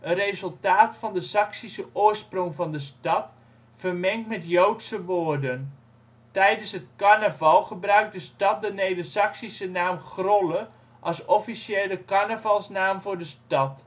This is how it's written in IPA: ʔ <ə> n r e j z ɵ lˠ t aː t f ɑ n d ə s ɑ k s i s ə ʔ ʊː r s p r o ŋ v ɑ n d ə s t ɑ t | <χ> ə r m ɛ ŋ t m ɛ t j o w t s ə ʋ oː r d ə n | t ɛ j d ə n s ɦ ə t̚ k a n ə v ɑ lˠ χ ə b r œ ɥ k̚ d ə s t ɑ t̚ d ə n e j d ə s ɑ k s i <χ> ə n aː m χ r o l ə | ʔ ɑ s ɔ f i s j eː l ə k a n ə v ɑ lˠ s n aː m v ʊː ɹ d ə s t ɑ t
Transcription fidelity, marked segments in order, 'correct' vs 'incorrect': correct, incorrect, incorrect

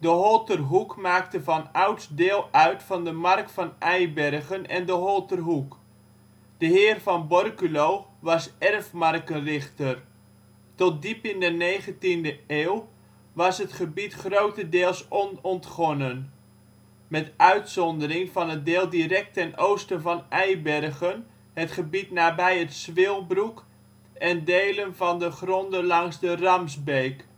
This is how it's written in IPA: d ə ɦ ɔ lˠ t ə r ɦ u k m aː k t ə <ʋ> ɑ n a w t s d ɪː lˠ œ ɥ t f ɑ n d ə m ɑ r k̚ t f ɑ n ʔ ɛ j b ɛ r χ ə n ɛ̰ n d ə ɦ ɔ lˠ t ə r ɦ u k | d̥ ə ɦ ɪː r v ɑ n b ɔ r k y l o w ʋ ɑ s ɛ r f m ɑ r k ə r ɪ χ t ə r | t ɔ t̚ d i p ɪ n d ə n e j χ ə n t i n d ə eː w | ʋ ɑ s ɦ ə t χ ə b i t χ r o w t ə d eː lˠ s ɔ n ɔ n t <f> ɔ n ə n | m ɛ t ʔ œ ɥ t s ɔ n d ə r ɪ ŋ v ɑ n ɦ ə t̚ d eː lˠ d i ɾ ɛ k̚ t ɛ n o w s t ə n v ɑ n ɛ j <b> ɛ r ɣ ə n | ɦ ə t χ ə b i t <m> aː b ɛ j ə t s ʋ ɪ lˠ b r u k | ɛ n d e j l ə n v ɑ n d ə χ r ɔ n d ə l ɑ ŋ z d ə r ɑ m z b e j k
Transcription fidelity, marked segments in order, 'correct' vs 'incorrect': incorrect, incorrect, correct, incorrect

